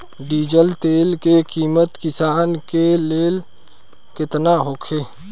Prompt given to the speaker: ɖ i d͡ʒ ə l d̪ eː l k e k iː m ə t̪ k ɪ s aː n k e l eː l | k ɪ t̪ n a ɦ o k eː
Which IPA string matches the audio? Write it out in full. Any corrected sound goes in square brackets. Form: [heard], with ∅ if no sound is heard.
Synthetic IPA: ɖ [iː] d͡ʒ ə l [t̪] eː l k e k iː m ə t̪ k ɪ s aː n k e l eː l | k ɪ t̪ n a ɦ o [kʰ] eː